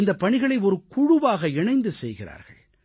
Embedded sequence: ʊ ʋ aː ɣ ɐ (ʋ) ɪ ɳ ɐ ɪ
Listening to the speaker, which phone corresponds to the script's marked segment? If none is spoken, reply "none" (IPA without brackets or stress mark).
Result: none